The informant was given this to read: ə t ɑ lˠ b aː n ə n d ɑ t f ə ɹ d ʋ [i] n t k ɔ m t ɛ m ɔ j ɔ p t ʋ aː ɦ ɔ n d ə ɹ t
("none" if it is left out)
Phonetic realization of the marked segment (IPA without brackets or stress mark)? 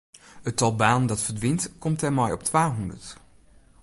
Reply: ɪ